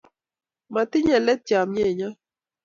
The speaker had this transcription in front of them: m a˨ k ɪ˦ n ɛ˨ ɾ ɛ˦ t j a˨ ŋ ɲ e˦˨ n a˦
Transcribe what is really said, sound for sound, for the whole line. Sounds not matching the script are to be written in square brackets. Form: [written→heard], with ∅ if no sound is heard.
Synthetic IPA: m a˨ [k→t] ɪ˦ [n→ɲ] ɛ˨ [ɾ→l] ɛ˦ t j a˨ [ŋ→m] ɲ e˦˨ [n→ɲ] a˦